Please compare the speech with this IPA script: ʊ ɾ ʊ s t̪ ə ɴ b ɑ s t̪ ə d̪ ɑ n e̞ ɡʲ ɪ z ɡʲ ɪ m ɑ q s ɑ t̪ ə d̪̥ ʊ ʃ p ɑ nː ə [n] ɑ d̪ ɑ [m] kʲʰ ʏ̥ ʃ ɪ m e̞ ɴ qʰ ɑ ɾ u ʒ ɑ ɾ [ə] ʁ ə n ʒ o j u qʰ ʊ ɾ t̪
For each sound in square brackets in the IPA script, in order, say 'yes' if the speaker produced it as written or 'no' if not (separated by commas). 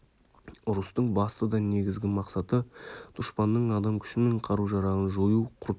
no, yes, no